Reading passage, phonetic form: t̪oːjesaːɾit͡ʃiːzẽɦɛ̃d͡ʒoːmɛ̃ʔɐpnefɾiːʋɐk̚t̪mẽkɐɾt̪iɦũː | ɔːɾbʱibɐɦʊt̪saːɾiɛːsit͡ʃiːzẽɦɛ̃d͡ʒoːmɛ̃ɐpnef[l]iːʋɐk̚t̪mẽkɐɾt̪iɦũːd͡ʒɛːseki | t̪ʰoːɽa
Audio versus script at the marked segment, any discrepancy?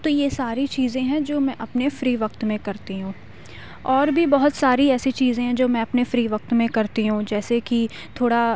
yes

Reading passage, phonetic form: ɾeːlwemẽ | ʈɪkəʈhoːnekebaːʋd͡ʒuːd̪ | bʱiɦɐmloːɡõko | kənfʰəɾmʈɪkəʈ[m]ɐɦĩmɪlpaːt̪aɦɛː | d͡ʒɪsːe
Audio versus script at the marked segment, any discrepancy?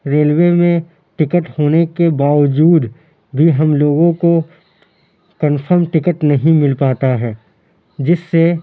yes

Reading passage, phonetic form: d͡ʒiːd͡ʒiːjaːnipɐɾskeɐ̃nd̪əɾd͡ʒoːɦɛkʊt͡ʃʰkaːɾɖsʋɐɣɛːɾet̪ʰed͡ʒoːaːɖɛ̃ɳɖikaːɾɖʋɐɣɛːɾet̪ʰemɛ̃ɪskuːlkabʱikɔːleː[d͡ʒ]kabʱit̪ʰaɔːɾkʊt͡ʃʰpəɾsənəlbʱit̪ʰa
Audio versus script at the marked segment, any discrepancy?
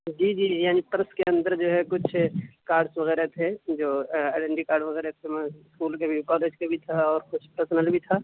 no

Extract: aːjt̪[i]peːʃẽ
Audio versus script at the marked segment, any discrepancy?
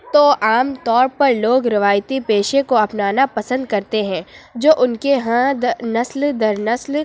no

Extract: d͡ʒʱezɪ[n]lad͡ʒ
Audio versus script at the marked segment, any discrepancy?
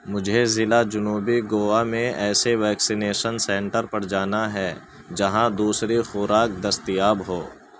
yes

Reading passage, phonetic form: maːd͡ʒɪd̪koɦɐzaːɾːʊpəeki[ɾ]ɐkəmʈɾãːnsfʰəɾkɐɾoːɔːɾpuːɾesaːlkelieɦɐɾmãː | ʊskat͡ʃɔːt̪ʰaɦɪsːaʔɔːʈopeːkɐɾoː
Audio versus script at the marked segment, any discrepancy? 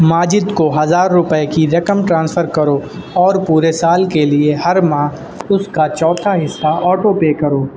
no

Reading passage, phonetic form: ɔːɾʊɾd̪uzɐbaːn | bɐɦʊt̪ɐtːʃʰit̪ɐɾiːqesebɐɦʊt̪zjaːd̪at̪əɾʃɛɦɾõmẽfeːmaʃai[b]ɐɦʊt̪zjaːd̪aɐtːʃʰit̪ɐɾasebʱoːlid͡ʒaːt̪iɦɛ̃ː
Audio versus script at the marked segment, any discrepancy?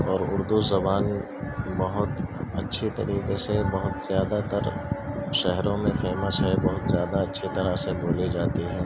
no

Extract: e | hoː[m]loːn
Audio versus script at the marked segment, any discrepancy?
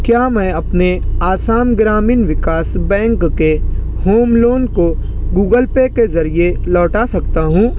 no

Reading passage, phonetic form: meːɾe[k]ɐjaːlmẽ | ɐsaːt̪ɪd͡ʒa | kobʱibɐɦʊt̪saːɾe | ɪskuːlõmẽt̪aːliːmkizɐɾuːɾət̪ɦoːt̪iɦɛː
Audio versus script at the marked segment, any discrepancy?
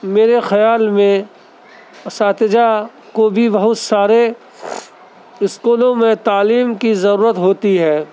yes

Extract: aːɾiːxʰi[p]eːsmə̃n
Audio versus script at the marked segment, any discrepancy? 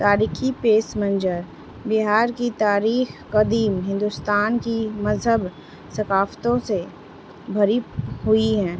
no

